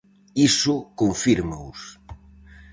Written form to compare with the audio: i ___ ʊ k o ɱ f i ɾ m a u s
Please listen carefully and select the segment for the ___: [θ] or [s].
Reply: s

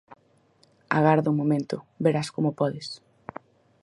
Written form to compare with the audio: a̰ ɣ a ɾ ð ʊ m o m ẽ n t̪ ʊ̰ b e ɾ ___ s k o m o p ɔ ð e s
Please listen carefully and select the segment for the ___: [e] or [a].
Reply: a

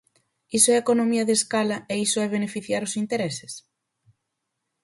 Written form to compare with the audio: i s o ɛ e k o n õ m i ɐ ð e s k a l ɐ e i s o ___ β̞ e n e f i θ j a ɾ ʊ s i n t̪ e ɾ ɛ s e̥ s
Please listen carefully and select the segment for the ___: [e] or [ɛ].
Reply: ɛ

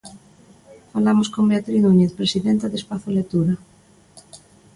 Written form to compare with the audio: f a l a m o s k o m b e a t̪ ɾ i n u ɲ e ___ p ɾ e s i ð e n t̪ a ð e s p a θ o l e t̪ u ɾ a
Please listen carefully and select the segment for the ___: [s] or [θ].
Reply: θ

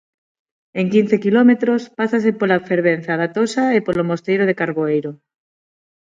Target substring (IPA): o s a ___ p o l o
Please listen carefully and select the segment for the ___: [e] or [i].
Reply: e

